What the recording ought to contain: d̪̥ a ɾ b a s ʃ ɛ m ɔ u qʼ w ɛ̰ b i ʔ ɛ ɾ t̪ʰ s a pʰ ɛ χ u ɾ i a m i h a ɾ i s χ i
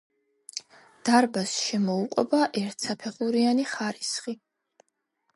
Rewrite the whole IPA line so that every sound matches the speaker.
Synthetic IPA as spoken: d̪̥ a ɾ b a s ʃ ɛ m ɔ u qʼ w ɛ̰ b a ʔ ɛ ɾ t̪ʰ s a pʰ ɛ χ u ɾ i a n i χ a ɾ i s χ i